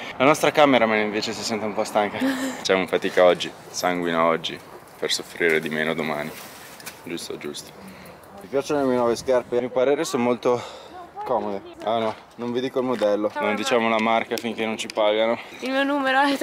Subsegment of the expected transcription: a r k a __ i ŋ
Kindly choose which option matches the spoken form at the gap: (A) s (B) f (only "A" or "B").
B